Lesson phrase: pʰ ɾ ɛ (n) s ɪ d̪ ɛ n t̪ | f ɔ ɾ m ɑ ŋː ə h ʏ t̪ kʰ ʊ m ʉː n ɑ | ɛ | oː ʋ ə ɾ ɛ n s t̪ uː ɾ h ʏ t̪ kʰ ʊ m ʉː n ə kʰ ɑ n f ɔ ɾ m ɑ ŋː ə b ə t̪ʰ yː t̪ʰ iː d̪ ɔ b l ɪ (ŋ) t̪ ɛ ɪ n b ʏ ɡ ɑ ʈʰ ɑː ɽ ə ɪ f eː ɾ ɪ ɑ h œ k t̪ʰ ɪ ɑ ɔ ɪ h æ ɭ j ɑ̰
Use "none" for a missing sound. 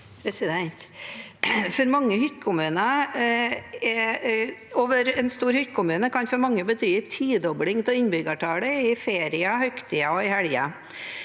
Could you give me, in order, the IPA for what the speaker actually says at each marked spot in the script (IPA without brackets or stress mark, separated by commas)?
none, ŋ